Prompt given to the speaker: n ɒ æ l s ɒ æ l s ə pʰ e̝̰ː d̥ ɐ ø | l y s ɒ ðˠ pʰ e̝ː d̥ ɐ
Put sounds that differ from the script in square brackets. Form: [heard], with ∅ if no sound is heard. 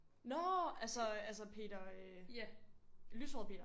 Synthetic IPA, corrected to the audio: n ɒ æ l s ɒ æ l s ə pʰ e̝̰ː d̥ ɐ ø | l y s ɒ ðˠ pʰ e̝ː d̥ ɐ